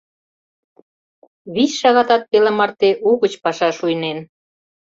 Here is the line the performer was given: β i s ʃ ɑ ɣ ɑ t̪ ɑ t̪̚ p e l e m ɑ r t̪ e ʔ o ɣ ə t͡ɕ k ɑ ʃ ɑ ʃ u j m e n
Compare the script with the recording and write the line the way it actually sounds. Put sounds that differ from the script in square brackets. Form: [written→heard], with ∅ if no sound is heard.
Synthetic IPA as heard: β i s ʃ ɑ ɣ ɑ t̪ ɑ t̪̚ p e l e m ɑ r t̪ e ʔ [o→u] ɣ ə t͡ɕ [k→p] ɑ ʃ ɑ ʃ u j [m→n] e n